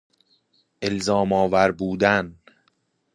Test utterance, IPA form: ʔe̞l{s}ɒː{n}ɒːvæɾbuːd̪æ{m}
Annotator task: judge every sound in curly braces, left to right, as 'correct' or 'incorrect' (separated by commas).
incorrect, incorrect, incorrect